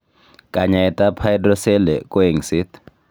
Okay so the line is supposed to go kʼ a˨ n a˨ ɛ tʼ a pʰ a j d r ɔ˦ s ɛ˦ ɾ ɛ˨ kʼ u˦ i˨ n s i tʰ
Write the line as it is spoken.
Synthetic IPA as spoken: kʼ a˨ ɲ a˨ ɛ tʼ a pʰ a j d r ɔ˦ s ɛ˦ l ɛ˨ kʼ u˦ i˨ ŋ s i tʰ